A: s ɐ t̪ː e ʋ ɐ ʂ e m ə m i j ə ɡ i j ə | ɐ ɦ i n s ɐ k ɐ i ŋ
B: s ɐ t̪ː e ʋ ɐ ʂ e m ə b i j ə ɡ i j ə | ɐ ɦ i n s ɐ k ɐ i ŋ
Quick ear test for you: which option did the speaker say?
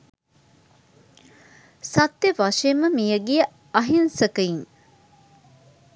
A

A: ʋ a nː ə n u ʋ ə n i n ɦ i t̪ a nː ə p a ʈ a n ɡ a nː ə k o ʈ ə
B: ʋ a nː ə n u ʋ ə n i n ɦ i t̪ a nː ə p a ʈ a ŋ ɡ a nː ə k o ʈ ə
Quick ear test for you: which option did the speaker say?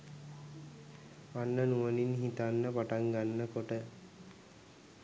B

